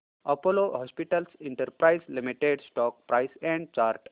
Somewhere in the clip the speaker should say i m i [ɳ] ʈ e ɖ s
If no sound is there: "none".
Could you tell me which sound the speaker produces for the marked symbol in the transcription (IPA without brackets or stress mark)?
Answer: none